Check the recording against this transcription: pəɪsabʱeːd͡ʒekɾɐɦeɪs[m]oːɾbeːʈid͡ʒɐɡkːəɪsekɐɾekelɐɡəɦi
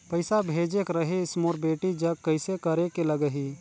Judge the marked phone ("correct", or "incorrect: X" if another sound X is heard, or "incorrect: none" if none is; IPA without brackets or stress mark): correct